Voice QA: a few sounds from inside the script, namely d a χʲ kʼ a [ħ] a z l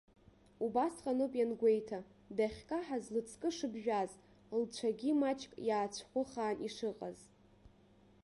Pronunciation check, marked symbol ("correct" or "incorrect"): correct